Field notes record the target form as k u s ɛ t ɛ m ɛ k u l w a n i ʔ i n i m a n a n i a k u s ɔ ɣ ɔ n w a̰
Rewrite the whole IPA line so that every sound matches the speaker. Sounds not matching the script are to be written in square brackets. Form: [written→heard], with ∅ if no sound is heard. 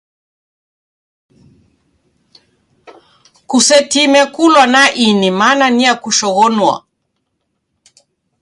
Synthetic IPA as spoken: k u s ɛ t [ɛ→i] m ɛ k u l w a n [i→a] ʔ i n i m a n a n i a k u [s→ʃ] ɔ ɣ ɔ n w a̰